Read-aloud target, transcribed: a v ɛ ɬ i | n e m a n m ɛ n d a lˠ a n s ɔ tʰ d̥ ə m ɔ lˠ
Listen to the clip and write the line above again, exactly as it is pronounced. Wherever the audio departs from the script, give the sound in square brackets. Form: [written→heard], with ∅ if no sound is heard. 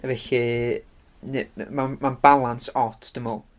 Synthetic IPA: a v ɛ ɬ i | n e m a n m [ɛ→a] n [d→b] a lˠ a n s ɔ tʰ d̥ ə m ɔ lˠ